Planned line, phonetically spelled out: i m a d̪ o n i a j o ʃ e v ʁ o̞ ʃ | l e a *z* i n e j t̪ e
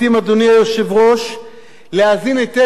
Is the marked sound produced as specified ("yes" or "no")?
yes